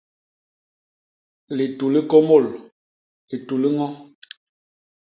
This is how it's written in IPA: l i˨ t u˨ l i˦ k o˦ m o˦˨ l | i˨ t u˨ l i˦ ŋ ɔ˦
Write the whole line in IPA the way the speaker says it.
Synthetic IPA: l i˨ t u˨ l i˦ k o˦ m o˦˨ l | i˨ t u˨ l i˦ ŋ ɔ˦